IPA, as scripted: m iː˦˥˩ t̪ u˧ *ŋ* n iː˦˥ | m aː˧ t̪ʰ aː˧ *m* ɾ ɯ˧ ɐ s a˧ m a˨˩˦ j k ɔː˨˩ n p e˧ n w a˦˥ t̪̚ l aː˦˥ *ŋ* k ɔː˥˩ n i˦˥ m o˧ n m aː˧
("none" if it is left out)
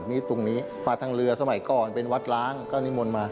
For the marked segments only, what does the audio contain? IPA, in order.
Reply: ŋ, ŋ, ŋ

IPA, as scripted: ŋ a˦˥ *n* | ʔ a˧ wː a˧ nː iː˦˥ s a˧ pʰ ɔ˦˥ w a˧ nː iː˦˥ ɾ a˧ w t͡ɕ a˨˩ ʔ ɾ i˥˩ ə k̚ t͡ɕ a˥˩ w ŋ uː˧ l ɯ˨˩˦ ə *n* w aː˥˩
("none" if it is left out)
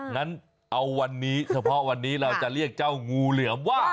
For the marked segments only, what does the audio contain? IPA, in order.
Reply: n, m

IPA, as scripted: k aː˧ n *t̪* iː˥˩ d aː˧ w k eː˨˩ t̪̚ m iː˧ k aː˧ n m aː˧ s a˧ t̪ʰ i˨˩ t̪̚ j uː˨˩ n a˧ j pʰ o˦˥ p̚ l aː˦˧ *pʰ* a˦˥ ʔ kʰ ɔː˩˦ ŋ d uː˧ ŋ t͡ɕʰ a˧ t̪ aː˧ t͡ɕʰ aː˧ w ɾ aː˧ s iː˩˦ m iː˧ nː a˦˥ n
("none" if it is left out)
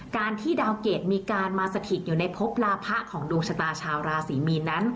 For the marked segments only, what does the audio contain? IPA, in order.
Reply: t̪ʰ, pʰ

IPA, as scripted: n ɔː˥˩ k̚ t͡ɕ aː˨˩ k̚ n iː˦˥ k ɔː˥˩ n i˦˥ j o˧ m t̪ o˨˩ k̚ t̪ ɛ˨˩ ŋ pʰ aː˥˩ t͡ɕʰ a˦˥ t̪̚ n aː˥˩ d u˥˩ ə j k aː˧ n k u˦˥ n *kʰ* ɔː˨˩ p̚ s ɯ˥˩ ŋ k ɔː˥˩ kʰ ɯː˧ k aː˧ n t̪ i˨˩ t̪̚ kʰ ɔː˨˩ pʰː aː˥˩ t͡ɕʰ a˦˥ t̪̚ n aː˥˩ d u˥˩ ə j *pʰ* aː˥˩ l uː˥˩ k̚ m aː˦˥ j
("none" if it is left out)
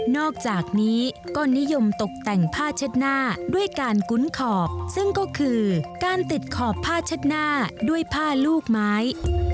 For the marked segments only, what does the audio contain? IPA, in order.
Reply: kʰ, pʰ

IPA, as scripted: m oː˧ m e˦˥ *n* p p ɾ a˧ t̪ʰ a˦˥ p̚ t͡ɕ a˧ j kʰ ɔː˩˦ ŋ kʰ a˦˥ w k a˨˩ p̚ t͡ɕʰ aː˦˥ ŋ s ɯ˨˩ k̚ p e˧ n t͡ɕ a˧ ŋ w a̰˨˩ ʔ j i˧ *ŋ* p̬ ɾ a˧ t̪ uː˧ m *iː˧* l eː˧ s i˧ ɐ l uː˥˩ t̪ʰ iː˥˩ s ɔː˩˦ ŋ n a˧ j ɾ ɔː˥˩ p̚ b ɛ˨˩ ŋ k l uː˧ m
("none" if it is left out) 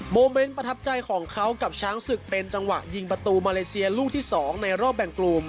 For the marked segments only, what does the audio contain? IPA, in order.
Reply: n, ŋ, aː˧

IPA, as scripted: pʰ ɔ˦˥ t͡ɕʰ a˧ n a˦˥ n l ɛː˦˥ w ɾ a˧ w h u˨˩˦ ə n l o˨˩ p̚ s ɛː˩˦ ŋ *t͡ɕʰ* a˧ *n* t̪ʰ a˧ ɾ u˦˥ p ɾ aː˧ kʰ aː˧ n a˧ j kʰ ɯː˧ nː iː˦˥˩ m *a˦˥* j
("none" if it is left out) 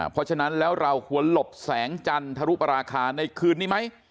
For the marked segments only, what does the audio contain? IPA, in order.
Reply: t͡ɕ, n, a˦˥

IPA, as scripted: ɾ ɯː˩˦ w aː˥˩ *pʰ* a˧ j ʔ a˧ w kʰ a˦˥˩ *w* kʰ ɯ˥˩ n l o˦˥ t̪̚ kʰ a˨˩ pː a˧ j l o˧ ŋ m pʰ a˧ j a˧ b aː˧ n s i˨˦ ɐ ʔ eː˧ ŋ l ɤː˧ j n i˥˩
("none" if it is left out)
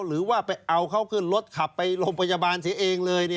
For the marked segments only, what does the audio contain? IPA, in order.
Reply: p, w

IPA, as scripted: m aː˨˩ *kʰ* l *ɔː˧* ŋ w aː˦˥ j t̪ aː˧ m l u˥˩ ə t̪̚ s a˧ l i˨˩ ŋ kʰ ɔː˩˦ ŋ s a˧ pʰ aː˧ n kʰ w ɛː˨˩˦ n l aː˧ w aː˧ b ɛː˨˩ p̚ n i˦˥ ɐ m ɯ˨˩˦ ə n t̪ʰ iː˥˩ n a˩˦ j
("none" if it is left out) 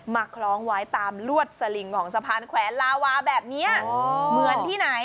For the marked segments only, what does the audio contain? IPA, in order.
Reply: kʰ, ɔː˦˥

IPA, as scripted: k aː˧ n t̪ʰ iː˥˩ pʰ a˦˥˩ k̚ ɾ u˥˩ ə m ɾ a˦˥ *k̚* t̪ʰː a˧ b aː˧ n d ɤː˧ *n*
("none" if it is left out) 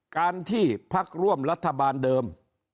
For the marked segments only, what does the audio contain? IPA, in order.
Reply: none, m

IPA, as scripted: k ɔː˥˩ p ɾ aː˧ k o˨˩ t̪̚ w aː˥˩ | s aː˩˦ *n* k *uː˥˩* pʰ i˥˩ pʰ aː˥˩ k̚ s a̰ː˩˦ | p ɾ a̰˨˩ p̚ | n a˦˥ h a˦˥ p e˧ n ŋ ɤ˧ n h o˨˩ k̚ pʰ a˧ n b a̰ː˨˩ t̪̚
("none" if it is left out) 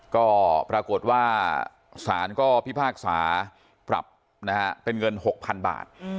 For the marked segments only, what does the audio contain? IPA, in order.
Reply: n, ɔː˥˩

